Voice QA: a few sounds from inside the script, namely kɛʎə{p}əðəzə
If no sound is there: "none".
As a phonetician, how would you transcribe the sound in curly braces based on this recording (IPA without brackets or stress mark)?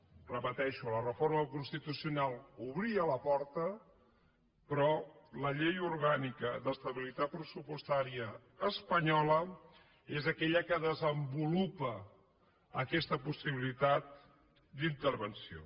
k